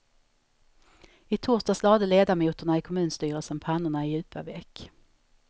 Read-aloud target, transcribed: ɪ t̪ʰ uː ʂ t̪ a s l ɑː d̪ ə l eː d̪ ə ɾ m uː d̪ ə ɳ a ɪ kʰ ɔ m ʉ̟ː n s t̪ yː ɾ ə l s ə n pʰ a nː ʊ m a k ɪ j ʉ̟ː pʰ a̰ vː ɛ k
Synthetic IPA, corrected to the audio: ɪ t̪ʰ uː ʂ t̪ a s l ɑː d̪ ə l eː d̪ a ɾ m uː t̪ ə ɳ a ɪ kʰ ɔ m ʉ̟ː n s t̪ yː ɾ ə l s ə n pʰ a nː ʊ ɳ a ɪ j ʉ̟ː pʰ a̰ v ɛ k